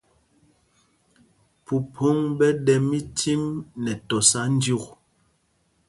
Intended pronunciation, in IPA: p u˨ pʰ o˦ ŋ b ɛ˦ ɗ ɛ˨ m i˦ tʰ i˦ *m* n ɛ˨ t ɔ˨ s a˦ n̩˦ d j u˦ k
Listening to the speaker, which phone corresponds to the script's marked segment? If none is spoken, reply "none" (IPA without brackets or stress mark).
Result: m